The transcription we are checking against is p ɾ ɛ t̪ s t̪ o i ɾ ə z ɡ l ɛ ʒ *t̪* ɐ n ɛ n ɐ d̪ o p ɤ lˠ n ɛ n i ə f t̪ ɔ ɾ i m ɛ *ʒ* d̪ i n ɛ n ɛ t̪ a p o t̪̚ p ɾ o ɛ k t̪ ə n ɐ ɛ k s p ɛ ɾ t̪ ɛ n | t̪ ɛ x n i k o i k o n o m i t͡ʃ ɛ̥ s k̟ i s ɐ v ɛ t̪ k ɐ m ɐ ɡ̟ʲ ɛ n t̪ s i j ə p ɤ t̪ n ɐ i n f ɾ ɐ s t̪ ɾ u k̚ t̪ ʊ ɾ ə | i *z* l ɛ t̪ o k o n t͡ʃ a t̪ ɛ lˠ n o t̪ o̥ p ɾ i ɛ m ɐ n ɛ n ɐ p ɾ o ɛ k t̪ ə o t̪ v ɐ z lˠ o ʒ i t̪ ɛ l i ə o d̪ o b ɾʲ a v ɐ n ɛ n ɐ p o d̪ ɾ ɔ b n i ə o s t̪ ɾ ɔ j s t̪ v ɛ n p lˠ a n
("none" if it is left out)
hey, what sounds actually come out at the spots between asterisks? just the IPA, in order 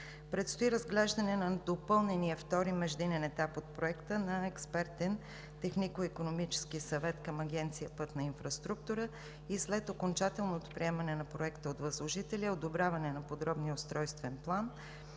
d̪, ʒ, s

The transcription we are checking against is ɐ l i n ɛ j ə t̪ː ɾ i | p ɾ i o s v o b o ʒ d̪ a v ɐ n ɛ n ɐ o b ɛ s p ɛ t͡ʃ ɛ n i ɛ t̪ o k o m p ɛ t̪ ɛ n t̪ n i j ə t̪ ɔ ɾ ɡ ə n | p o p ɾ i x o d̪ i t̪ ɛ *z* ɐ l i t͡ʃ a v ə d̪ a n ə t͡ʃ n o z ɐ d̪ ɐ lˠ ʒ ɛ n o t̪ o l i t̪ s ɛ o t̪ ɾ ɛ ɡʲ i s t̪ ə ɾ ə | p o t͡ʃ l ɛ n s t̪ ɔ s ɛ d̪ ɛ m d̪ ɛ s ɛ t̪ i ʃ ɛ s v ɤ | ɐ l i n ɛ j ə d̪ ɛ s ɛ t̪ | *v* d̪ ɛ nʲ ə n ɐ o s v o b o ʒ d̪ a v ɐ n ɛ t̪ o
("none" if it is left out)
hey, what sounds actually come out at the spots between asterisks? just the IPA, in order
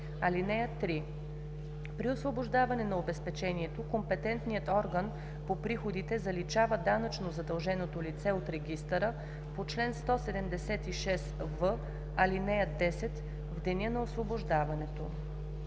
z, v

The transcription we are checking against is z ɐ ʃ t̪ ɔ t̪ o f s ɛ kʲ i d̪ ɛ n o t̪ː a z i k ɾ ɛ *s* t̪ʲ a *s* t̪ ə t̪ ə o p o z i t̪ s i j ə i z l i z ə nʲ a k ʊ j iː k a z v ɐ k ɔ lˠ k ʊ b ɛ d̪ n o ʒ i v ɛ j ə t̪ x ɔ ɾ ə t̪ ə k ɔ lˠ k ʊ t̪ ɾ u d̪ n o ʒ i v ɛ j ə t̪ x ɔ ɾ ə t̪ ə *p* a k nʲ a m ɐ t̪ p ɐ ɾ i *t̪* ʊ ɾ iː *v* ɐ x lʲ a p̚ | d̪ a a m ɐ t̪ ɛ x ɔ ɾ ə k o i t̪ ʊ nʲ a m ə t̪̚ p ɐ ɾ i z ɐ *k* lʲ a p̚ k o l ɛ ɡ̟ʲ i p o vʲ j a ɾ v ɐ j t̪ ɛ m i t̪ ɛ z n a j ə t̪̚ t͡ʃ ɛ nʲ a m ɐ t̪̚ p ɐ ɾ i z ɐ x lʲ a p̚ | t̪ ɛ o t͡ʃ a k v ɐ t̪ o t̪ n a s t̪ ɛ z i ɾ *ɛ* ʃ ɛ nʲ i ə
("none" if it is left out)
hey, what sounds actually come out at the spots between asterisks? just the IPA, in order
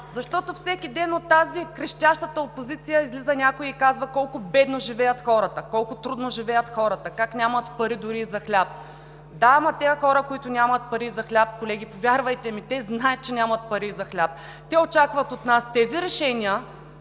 ʃ, ʃ, k, d̪, z, x, ɛ

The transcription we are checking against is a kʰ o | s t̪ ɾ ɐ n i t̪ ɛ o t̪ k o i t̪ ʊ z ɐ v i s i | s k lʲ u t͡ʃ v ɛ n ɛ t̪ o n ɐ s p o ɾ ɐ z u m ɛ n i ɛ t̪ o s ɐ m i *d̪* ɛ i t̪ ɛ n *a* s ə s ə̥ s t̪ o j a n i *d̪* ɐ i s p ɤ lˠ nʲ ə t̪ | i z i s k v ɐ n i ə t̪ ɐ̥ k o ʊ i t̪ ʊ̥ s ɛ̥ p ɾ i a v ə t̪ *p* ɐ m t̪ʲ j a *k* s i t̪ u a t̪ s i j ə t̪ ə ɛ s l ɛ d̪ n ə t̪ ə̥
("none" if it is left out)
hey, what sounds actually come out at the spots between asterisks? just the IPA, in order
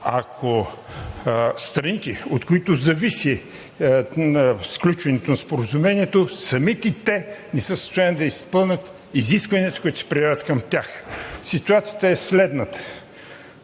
t̪, ɛ, d̪, k, x

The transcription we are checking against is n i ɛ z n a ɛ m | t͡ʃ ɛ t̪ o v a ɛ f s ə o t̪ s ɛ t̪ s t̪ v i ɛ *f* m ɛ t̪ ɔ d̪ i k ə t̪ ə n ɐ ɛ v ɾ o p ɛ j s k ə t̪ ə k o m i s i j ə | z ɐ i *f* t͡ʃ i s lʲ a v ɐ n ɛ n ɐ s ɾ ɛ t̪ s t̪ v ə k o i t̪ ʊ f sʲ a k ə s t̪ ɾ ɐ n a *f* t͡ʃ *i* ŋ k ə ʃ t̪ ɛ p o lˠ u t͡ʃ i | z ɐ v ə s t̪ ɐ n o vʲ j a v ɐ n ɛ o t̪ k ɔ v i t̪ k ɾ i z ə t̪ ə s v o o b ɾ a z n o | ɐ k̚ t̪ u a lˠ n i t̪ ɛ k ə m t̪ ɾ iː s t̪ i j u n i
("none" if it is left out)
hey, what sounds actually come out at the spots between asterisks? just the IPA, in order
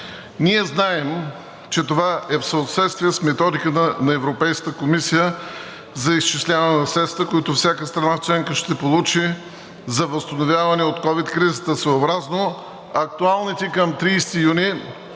s, s, f, ɛ

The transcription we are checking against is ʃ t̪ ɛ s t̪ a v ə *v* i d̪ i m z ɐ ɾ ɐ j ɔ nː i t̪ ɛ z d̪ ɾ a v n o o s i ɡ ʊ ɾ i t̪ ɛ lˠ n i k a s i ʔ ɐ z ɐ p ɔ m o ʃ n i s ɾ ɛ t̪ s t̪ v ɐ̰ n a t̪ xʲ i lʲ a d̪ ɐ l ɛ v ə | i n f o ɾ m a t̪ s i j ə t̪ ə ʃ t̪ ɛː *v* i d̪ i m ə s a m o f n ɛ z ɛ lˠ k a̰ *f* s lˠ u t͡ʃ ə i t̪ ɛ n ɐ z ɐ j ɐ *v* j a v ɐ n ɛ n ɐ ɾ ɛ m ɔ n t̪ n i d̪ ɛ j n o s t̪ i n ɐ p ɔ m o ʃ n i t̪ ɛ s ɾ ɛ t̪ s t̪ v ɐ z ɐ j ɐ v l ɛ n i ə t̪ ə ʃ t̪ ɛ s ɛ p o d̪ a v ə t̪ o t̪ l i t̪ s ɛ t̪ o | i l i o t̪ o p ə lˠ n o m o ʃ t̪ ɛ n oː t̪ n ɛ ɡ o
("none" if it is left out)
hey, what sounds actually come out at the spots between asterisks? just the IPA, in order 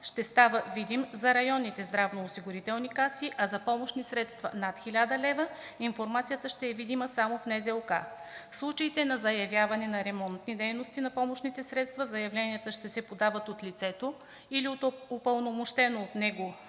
v, v, f, v

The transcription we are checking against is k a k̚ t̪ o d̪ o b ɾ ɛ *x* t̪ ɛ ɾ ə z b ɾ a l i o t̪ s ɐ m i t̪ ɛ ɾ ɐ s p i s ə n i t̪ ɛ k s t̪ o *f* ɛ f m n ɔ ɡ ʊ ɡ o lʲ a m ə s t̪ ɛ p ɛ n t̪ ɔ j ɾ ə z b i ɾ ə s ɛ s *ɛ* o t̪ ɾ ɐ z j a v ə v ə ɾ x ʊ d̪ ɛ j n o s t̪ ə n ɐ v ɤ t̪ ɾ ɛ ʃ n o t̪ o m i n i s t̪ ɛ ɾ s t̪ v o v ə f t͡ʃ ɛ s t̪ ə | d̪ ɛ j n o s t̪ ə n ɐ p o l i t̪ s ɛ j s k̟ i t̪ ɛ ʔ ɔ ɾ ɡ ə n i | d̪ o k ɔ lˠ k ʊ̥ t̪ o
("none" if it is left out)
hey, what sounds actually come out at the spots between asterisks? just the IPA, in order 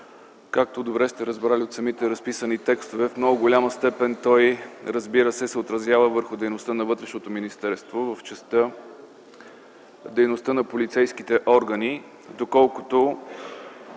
s, v, ɛ

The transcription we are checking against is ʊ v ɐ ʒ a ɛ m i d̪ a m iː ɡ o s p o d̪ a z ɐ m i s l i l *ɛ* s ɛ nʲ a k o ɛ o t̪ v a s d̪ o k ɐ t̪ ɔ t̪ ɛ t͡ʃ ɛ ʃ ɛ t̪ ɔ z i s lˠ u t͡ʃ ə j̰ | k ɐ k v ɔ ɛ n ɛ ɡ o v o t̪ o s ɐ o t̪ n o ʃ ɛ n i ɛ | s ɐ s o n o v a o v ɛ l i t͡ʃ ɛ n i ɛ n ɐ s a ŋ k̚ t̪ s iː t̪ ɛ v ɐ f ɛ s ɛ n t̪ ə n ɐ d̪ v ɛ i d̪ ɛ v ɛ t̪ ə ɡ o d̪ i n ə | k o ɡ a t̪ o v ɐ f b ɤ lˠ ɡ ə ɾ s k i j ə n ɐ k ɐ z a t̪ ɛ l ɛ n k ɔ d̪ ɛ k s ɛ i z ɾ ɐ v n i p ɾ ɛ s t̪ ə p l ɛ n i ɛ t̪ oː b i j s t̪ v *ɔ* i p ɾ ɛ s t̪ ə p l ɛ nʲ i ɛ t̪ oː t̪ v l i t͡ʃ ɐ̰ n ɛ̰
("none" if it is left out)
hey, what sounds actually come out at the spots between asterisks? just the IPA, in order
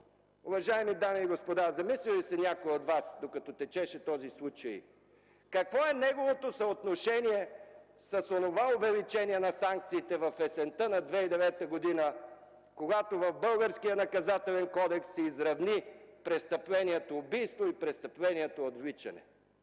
i, o

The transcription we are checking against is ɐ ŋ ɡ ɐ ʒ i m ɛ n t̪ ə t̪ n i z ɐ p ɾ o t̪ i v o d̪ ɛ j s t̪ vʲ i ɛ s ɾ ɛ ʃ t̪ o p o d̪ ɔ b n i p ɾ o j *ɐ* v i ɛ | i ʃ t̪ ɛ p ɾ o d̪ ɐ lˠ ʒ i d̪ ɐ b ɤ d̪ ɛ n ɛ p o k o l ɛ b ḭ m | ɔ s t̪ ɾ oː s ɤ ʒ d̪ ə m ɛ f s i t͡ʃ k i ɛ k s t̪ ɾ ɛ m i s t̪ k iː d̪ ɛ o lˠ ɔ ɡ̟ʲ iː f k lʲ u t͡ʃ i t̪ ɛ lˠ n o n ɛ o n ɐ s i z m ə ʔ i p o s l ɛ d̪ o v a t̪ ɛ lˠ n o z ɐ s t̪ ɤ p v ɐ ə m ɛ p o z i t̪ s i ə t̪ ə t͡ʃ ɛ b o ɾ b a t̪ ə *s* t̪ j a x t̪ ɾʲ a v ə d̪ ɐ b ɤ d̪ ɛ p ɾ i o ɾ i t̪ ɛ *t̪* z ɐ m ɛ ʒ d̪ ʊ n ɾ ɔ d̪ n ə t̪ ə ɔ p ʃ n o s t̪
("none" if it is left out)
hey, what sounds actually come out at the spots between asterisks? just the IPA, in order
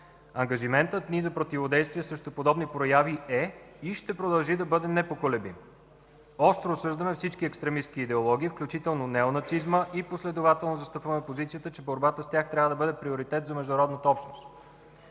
a, s, t̪

